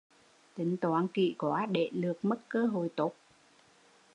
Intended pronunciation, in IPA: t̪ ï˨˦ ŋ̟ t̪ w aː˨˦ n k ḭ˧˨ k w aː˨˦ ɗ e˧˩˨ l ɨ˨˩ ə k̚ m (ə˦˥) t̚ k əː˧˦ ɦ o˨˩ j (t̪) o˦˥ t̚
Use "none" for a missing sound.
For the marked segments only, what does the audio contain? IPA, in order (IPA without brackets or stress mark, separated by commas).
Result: ə˦˥, t̪